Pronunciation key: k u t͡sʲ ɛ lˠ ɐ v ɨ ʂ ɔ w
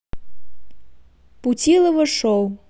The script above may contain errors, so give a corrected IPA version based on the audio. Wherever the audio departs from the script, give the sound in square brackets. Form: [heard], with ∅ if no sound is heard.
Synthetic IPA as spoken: [p] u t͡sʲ [i] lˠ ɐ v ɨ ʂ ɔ w